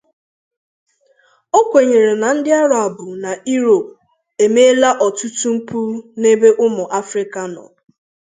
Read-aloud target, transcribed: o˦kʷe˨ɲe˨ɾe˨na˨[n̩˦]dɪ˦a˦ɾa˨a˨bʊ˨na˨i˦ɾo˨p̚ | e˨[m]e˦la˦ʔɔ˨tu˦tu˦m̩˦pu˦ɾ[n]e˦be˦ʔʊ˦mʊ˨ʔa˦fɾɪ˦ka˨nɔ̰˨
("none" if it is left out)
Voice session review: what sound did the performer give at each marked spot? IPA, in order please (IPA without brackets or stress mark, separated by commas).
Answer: n̩˦, m, n